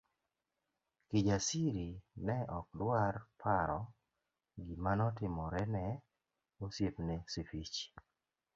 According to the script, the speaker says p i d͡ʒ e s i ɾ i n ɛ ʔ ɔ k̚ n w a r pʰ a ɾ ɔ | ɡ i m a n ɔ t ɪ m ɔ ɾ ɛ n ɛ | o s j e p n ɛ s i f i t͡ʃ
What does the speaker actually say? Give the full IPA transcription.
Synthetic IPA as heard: k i d͡ʒ a s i ɾ i n ɛ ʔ ɔ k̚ d w a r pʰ a ɾ ɔ | ɡ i m a n ɔ t ɪ m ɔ ɾ ɛ n ɛ | o s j e p n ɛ s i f i t͡ʃ

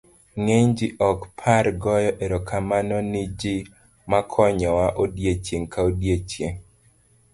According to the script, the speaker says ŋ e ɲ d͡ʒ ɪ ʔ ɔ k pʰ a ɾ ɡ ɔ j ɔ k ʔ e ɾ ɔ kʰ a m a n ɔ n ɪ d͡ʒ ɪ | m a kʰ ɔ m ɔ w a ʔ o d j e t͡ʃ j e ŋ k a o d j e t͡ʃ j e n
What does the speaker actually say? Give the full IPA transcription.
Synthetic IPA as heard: ŋ e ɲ d͡ʒ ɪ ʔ ɔ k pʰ a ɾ ɡ ɔ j ɔ ʔ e ɾ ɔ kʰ a m a n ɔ n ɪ d͡ʒ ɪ | m a kʰ ɔ ɲ ɔ w a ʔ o d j e t͡ʃ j e ŋ k a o d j e t͡ʃ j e ŋ

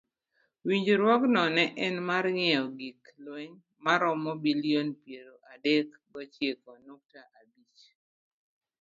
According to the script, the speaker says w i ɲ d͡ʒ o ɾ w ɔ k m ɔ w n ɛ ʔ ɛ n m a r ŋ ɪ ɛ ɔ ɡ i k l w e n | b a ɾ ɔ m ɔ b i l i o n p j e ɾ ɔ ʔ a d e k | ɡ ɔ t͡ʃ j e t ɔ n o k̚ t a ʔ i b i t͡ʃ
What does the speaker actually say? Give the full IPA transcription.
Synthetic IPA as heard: w i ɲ d͡ʒ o ɾ w ɔ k n ɔ n ɛ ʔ ɛ n m a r ŋ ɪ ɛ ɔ ɡ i k l w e ɲ | m a ɾ ɔ m ɔ b i l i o n p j e ɾ o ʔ a d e k | ɡ ɔ t͡ʃ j e k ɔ n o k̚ t a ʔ a b i t͡ʃ

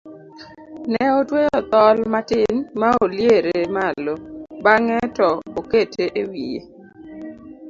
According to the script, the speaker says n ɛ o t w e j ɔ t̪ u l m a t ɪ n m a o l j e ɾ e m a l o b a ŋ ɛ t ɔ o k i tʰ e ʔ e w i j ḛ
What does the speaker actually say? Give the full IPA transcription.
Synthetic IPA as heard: n ɛ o t w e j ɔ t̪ ɔ l m a t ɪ n m a o l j e ɾ e m a l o b a ŋ ɛ t ɔ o k e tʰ e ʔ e w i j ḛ

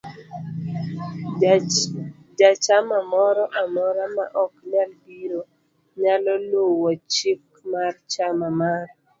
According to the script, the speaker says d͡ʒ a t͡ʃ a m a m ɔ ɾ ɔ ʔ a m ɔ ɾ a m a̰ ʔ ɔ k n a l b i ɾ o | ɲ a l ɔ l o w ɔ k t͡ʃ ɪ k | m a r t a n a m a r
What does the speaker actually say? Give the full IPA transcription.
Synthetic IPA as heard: d͡ʒ a t͡ʃ a m a m ɔ ɾ ɔ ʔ a m ɔ ɾ a m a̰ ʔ ɔ k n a l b i ɾ o | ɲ a l ɔ l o w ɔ t͡ʃ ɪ k | m a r t͡ʃ a m a m a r

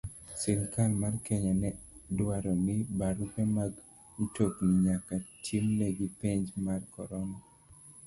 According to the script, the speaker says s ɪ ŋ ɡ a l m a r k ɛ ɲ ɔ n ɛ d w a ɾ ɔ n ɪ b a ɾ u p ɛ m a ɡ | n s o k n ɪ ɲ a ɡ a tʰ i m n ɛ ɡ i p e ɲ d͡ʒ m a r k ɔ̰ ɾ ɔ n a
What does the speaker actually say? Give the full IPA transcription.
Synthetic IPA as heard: s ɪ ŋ k a l m a r k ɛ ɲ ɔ n ɛ d w a ɾ ɔ n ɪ b a ɾ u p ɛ m a ɡ | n t o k n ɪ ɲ a k a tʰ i m n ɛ ɡ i p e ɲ d͡ʒ m a r k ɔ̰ ɾ ɔ n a

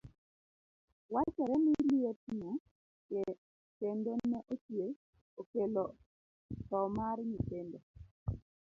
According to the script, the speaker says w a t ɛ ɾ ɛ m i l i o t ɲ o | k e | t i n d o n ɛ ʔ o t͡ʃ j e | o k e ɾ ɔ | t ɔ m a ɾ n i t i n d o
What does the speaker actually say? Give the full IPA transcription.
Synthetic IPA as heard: w a t͡ʃ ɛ ɾ ɛ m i l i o t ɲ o | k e | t e n d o n ɛ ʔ o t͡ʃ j e | o k e l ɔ | t ɔ m a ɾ ɲ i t e n d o

